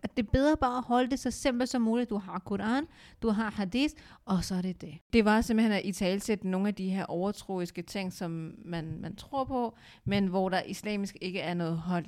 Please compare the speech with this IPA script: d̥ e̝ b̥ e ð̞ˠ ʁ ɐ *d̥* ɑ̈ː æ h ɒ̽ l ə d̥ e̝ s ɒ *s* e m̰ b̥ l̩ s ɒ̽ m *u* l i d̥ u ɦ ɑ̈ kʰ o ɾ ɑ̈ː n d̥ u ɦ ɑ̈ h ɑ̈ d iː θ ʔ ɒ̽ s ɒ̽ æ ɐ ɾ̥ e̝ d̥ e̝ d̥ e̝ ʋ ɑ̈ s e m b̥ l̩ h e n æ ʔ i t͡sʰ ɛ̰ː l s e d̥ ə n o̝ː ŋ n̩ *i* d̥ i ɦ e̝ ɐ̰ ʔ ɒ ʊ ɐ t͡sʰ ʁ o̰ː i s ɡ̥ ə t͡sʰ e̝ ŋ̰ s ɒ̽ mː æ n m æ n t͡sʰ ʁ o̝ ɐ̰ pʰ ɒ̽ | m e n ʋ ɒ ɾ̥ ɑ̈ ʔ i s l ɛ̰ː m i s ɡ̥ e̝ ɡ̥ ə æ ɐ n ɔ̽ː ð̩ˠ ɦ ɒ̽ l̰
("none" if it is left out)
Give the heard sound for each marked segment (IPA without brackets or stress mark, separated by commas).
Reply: b̥, s, uː, æ